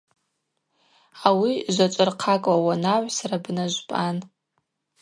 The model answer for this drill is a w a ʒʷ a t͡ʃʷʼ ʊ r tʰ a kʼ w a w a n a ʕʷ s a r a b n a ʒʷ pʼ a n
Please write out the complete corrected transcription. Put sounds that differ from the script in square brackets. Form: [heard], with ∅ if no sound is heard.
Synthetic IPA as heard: a w [i] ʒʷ a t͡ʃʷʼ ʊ r [qʰ] a kʼ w a w a n a ʕʷ s a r a b n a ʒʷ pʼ a n